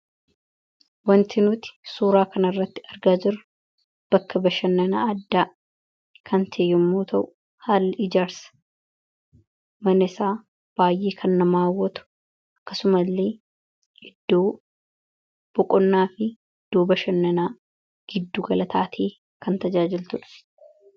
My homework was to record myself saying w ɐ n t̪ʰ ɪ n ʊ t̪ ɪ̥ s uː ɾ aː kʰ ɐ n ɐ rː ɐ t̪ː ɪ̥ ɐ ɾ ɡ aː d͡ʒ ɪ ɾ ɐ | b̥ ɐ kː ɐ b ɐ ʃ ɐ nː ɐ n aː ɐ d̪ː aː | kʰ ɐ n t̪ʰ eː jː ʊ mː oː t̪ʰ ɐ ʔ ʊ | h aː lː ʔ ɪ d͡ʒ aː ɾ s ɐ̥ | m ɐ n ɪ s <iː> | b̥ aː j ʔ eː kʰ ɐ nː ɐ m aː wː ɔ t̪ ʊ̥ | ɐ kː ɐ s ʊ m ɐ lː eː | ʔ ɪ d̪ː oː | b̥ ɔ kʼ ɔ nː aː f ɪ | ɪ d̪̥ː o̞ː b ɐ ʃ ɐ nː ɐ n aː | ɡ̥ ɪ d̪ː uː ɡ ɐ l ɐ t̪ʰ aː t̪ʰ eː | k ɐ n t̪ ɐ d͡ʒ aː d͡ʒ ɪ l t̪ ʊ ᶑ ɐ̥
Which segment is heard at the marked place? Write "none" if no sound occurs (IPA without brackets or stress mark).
aː